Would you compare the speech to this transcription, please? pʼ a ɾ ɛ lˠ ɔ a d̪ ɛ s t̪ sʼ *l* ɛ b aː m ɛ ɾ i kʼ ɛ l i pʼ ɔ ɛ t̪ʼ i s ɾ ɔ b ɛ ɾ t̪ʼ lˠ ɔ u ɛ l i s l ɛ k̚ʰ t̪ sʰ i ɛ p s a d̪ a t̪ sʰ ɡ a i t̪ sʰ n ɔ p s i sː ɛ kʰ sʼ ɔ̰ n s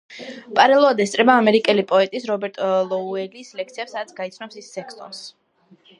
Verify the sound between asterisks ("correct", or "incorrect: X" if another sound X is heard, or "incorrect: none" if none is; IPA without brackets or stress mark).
incorrect: ɾ